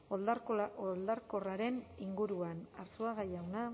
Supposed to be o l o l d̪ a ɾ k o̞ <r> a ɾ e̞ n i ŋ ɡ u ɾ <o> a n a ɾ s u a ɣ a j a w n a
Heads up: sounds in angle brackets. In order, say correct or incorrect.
correct, incorrect: u

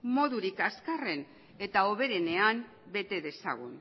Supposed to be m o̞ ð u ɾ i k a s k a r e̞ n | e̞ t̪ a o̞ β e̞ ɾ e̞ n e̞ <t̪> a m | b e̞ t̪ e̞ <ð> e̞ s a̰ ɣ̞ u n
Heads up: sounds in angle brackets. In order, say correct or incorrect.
incorrect: none, correct

